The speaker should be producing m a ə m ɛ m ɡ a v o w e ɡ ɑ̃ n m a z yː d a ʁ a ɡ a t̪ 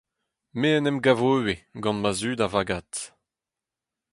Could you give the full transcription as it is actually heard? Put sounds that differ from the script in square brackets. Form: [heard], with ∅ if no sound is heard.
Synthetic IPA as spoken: m [e] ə [n] ɛ m ɡ a v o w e ɡ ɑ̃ n m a z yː d a [v] a ɡ a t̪